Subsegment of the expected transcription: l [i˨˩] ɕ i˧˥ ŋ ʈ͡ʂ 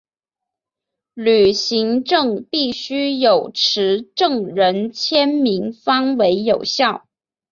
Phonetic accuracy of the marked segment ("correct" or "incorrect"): incorrect